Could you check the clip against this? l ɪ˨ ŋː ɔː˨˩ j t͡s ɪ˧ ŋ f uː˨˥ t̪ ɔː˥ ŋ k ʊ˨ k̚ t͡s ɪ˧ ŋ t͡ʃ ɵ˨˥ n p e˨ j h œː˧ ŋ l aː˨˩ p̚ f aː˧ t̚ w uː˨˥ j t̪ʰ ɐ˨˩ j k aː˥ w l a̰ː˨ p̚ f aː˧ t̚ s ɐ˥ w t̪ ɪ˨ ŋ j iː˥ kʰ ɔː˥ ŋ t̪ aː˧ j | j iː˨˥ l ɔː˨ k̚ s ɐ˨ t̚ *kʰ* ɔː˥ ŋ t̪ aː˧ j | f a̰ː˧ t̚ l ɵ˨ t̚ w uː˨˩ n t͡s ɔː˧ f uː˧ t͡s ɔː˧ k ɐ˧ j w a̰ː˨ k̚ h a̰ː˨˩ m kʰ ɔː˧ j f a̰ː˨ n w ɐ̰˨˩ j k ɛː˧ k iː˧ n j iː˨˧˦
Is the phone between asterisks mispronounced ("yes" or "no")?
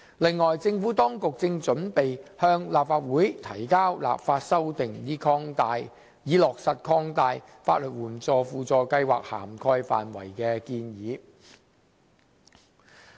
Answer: no